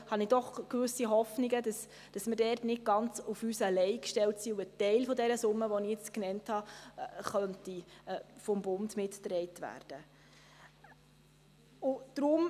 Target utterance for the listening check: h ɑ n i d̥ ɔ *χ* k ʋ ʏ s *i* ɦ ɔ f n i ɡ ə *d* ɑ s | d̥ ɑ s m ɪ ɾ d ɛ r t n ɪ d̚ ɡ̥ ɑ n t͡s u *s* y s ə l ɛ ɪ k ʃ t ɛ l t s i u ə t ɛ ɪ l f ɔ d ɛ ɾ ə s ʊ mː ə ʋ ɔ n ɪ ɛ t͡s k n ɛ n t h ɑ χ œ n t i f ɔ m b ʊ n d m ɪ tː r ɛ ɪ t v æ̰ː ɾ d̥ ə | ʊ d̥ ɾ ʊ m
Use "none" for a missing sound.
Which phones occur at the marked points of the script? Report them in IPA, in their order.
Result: χ, i, d, f

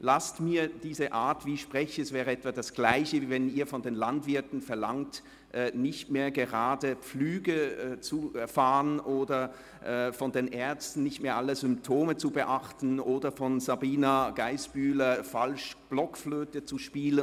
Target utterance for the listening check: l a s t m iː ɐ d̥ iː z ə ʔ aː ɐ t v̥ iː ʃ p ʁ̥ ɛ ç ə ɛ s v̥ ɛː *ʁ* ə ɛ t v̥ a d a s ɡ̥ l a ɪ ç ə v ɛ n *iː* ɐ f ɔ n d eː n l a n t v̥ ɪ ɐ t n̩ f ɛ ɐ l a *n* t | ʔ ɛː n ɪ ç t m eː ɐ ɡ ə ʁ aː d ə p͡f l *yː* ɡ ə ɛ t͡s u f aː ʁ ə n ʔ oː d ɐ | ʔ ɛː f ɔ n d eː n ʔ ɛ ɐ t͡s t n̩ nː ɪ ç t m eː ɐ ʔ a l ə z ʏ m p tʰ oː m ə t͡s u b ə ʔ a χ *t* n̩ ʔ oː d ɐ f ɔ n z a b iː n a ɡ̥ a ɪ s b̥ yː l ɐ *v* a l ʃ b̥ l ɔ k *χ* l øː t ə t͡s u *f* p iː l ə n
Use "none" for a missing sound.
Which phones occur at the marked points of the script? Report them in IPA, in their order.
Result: ʁ, iː, ŋ, yː, t, f, f, ʃ

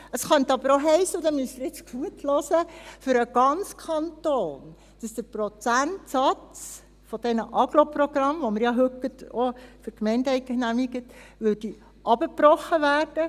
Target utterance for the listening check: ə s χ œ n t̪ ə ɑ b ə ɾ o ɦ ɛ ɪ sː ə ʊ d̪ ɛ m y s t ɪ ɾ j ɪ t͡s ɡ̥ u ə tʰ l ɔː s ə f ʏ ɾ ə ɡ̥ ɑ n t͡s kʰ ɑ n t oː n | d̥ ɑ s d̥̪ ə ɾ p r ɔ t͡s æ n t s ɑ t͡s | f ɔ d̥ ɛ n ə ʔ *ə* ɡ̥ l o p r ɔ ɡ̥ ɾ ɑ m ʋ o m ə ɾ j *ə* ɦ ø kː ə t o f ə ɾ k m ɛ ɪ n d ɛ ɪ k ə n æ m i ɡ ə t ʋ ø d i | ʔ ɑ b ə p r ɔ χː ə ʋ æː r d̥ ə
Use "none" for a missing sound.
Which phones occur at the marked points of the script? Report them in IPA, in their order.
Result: ɑ, ɑ

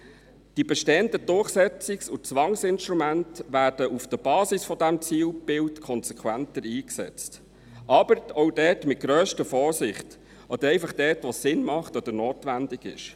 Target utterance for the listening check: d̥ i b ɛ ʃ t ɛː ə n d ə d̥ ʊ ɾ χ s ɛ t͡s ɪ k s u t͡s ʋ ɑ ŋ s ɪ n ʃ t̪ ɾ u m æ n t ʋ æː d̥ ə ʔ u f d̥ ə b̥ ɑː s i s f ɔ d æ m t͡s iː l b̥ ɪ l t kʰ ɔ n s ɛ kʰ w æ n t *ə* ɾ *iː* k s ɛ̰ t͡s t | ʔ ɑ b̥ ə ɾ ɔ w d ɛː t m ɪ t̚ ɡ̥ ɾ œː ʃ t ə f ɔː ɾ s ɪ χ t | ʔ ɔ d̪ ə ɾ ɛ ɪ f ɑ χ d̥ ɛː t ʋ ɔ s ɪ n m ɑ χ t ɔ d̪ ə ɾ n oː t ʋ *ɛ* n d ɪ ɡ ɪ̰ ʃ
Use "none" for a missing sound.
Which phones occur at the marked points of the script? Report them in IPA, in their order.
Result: ə, iː, æ

